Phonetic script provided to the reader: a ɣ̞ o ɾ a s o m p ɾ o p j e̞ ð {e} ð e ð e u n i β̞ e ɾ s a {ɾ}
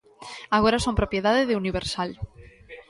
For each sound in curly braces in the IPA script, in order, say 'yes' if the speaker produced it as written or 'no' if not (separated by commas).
no, no